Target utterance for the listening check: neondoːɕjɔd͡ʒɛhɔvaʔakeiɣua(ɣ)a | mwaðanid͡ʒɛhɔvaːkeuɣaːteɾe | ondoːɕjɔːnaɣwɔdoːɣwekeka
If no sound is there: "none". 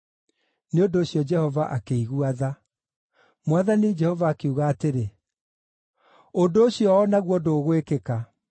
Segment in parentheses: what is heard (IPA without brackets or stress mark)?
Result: ð